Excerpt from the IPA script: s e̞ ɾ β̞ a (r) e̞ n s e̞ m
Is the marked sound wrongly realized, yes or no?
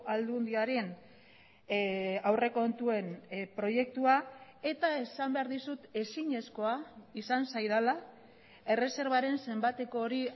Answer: yes